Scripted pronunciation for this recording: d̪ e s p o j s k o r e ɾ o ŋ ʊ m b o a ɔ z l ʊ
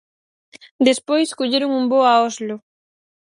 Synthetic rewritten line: d̪ e s p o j s k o ʎ e ɾ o ŋ u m b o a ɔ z l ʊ

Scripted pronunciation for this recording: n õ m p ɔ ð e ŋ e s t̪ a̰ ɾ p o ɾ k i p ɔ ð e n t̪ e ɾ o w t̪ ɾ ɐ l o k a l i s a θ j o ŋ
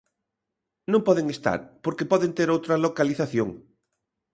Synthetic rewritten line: n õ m p ɔ ð e ŋ e s t̪ a̰ ɾ p o ɾ k e p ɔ ð e n t̪ e ɾ o w t̪ ɾ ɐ l o k a l i θ a θ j o ŋ

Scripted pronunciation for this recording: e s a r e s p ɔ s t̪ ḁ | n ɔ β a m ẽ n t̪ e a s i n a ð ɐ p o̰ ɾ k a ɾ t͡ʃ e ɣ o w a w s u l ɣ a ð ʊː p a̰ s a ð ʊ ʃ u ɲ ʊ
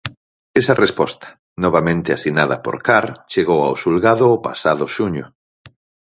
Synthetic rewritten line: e s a r e s p ɔ s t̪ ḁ | n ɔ β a m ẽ n t̪ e a s i n a ð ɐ p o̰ ɾ k a ɾ t͡ʃ e ɣ o w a w s u l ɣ a ð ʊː p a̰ s a ð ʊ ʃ u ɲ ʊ

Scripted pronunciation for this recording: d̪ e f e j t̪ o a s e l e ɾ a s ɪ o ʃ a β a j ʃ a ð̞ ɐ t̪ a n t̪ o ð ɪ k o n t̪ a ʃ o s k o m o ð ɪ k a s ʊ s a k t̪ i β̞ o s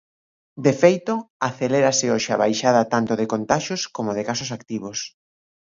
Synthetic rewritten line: d̪ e f e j t̪ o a θ e l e ɾ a s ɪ o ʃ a β a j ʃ a ð̞ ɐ t̪ a n t̪ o ð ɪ k o n t̪ a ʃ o s k o m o ð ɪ k a s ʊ s a k t̪ i β̞ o s

